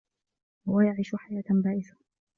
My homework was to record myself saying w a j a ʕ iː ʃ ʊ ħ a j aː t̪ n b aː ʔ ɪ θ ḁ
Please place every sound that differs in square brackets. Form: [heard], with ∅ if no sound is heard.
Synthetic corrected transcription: w a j a ʕ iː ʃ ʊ ħ a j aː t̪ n b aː ʔ ɪ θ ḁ